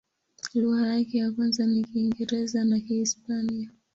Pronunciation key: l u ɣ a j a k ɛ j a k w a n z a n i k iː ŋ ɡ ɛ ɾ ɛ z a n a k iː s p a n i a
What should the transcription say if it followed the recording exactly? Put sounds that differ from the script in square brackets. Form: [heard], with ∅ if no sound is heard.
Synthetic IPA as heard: l u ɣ a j a k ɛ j a k w a n z a n i k iː ŋ ɡ ɛ ɾ ɛ z a n a k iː s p a n i a

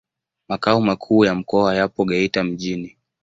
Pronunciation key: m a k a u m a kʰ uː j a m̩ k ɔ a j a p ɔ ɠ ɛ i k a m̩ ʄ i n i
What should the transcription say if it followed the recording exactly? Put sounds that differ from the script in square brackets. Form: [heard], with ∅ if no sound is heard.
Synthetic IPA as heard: m a k a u m a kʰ uː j a m̩ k ɔ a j a p ɔ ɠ ɛ i [t] a m̩ ʄ i n i

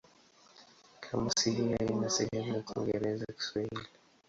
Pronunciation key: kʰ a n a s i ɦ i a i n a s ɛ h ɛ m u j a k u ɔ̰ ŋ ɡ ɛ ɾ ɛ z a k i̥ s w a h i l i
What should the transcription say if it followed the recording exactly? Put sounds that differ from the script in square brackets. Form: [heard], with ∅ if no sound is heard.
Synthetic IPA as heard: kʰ a [m] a s i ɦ i a i n a s ɛ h ɛ m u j a k u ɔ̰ ŋ ɡ ɛ ɾ ɛ z a k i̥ s w a h i l i

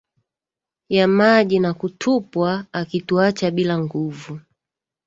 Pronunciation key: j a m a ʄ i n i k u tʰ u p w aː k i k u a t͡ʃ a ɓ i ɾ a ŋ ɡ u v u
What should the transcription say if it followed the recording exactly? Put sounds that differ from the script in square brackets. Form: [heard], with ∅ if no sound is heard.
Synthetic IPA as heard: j a m a ʄ i n [a] k u tʰ u p w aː k i [t] u a t͡ʃ a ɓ i [l] a ŋ ɡ u v u

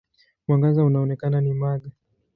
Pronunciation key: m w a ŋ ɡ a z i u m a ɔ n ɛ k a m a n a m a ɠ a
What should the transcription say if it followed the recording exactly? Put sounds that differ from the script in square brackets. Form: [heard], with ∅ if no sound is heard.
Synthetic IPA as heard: m w a ŋ ɡ a z [a] u [n] a ɔ n ɛ k a [n] a n [i] m a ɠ a

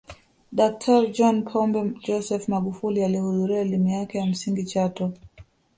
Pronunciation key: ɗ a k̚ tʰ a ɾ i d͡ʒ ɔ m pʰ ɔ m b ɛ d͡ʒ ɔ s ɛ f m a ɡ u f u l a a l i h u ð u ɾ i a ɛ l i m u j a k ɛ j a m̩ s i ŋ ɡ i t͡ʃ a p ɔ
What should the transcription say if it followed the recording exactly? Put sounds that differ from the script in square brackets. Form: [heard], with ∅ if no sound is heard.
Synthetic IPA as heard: ɗ a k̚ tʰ a ɾ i d͡ʒ ɔ [n] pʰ ɔ m b ɛ d͡ʒ ɔ s ɛ f m a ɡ u f u l [i] a l i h u ð u ɾ i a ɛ l i m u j a k ɛ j a m̩ s i ŋ ɡ i t͡ʃ a [t] ɔ

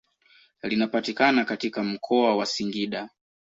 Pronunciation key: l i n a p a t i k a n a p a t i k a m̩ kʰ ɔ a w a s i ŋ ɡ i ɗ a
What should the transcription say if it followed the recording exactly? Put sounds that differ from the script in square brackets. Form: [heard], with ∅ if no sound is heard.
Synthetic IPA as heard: l i n a p a t i k a n a [k] a t i k a m̩ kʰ ɔ a w a s i ŋ ɡ i ɗ a

